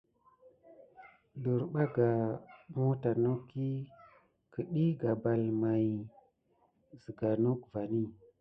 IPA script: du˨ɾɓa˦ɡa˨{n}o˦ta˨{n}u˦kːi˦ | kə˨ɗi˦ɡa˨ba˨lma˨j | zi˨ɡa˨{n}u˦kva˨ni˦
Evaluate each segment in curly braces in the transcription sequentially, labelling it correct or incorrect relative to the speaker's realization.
incorrect, correct, correct

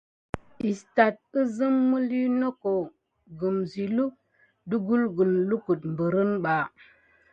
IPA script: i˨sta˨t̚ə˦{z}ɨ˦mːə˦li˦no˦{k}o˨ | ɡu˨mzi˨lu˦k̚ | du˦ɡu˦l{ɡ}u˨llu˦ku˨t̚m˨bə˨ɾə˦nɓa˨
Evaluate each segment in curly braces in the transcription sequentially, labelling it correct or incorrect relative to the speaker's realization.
correct, correct, correct

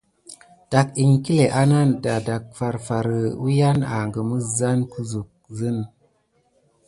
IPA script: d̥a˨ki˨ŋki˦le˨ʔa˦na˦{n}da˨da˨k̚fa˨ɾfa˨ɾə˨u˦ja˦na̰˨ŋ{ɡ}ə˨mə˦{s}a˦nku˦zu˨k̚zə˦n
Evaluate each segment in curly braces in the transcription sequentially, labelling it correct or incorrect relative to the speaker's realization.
correct, correct, incorrect

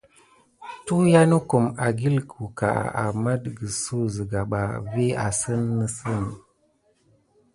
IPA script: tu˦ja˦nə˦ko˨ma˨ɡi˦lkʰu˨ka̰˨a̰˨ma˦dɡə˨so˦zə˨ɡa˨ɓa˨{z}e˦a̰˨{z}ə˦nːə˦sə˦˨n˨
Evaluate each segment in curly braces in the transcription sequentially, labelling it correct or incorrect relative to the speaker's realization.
incorrect, incorrect

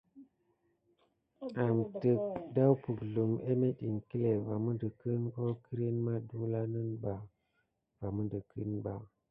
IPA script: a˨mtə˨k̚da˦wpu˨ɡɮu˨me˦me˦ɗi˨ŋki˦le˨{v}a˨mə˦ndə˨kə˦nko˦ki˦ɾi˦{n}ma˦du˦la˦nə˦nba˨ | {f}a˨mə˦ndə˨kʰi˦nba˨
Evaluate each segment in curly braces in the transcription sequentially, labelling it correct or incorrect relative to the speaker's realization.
correct, correct, incorrect

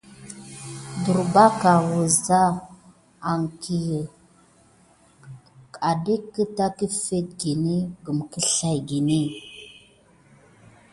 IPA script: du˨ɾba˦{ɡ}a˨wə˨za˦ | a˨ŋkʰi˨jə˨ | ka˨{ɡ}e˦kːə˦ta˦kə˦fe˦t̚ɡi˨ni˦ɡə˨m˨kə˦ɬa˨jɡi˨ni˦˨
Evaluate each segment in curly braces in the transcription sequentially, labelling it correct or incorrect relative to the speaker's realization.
incorrect, incorrect

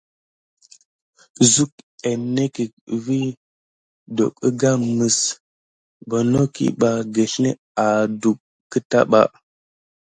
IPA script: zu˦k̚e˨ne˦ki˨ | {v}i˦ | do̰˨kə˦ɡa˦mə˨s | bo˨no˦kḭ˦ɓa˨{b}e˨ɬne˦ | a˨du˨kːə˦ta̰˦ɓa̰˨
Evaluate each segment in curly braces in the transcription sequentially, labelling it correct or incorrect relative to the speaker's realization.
correct, incorrect

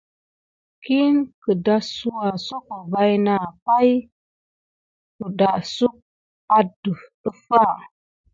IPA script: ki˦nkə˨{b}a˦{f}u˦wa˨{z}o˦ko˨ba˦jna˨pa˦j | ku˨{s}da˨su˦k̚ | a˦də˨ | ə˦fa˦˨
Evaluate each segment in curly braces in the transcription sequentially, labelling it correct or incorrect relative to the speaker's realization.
incorrect, incorrect, incorrect, incorrect

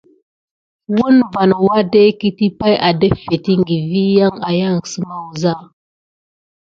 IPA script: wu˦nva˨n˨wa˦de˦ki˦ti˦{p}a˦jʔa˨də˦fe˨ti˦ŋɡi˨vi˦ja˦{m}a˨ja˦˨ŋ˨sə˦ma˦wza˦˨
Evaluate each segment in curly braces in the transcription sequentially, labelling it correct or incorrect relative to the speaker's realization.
correct, incorrect

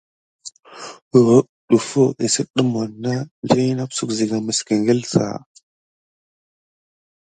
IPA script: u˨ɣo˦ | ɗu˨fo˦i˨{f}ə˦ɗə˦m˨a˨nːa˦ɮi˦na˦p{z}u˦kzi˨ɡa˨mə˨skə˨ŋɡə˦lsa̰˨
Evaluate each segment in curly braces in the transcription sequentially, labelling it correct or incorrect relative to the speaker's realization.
incorrect, incorrect

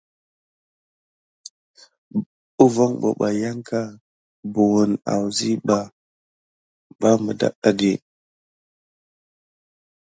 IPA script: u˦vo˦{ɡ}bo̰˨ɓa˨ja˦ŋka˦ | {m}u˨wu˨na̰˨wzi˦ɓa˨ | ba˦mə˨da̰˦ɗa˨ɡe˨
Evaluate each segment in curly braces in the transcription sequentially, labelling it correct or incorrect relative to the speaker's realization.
incorrect, incorrect

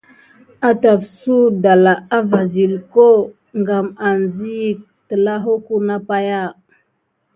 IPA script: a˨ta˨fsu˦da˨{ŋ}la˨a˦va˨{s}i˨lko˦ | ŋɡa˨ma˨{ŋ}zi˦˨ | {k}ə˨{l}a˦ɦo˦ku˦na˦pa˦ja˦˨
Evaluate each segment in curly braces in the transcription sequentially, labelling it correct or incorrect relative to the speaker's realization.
incorrect, incorrect, incorrect, incorrect, correct

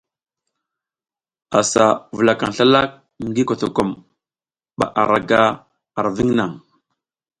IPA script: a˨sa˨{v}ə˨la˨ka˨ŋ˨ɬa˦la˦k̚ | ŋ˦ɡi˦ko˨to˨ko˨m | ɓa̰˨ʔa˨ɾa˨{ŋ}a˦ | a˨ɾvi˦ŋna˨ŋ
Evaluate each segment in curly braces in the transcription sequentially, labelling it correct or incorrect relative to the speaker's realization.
correct, incorrect

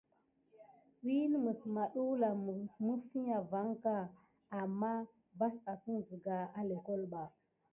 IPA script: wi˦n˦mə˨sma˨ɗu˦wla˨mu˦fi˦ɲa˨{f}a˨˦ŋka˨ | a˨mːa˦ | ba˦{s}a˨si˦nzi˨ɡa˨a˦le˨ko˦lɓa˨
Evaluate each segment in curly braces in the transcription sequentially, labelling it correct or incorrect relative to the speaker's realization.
incorrect, correct

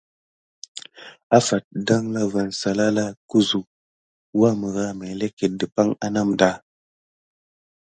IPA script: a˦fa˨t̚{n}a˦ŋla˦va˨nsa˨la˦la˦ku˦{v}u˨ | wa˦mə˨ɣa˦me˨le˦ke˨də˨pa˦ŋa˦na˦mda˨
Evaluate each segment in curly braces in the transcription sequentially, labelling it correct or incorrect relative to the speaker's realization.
incorrect, incorrect

